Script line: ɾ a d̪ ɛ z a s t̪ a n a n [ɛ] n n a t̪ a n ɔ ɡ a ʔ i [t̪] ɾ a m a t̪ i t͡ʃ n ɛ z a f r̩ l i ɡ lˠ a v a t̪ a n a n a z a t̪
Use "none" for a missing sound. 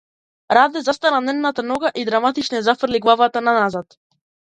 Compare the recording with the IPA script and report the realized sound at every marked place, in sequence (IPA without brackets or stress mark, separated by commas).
ɛ, d̪